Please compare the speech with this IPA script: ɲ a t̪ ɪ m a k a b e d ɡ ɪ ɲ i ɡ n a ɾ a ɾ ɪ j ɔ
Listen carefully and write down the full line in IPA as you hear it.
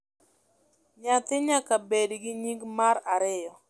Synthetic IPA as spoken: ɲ a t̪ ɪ ɲ a k a b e d ɡ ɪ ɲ i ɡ m a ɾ a ɾ ɪ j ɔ